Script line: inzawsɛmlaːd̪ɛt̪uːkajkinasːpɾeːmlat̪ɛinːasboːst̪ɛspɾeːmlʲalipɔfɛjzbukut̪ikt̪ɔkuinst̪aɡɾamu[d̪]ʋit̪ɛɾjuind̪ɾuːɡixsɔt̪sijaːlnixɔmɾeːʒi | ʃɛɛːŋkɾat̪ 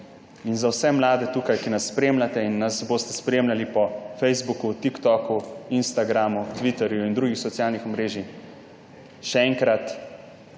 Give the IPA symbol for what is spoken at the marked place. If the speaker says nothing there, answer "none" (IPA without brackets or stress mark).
t̪